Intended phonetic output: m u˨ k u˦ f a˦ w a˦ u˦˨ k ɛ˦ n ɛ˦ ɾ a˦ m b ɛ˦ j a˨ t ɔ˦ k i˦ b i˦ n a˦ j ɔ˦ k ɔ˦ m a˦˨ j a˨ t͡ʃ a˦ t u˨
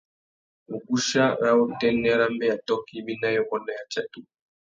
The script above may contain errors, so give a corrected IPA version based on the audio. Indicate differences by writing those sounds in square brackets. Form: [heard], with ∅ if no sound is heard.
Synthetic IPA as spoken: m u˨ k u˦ [ʃ] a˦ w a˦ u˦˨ [t] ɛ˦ n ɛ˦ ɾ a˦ m b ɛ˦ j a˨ t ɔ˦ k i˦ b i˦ n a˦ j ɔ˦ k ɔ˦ [n] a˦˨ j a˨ t͡ʃ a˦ t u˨